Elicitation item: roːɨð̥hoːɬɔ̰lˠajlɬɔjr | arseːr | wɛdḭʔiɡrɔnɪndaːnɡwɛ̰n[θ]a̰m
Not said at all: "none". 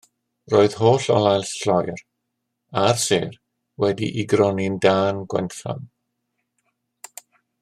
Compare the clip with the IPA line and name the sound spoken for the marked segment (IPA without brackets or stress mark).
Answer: θ